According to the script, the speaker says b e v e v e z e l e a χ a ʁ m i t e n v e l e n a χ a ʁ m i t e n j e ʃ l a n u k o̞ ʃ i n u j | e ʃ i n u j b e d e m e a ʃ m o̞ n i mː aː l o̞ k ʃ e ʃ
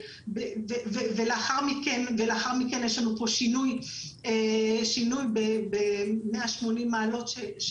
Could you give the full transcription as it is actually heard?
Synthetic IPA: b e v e v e v e l e a χ a ʁ m i k e n v e l e a χ a ʁ m i k e n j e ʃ l a n u p o̞ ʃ i n u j | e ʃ i n u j b e b e m e a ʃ m o̞ n i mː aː l o̞ t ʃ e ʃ